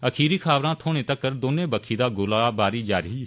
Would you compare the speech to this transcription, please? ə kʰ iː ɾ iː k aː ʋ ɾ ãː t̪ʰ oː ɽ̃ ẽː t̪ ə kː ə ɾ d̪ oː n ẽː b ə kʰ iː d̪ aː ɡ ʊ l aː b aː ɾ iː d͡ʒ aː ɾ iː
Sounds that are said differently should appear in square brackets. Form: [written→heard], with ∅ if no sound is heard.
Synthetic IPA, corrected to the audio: ə kʰ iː ɾ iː [k→kʰ] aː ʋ ɾ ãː t̪ʰ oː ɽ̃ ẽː t̪ ə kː ə ɾ d̪ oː n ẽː b ə kʰ iː d̪ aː ɡ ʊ l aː b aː ɾ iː d͡ʒ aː ɾ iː